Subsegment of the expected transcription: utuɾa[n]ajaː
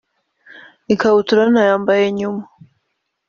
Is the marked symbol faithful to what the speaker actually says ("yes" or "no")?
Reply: yes